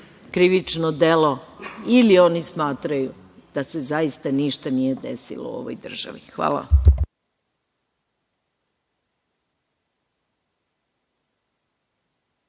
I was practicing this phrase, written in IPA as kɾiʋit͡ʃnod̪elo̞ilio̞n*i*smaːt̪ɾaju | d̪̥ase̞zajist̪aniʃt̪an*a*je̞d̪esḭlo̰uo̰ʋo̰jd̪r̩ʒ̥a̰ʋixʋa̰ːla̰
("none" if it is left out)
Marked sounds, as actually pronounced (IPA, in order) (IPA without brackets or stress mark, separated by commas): i, i